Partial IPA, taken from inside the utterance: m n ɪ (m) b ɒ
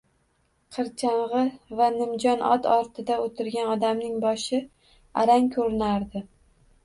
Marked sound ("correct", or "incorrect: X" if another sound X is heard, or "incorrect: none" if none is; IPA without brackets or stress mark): incorrect: ŋ